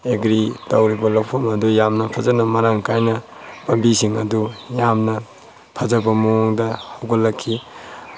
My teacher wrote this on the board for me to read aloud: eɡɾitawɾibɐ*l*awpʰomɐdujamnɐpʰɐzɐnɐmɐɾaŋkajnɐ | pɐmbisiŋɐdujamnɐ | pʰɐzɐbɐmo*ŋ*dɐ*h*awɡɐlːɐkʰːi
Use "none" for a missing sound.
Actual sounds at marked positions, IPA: l, ŋ, h

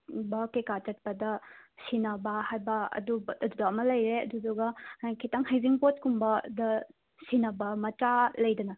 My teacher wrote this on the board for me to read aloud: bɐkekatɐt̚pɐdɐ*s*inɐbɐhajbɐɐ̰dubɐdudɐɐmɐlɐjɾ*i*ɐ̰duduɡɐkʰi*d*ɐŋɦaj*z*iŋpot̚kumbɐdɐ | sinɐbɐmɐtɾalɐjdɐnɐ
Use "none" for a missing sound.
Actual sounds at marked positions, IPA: s, e, t, z

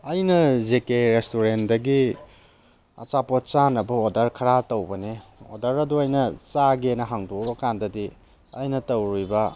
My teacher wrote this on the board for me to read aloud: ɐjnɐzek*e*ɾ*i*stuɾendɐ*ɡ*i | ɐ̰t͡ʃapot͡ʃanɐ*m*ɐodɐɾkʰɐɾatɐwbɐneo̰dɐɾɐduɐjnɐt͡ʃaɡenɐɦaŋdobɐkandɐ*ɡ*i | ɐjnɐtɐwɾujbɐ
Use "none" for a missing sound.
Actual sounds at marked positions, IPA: e, e, ɡ, b, d

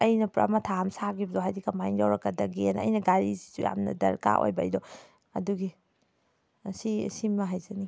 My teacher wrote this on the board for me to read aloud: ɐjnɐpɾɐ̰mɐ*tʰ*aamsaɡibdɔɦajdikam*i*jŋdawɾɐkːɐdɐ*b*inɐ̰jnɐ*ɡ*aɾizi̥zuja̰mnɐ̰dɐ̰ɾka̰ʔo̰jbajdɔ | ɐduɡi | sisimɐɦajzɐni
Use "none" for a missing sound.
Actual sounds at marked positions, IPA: tʰ, a, ɡ, ɡ

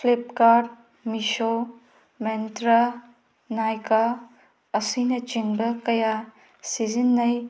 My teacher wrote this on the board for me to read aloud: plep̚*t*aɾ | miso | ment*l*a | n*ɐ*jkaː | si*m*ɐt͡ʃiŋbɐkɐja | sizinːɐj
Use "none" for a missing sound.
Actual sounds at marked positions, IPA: k, ɾ, a, n

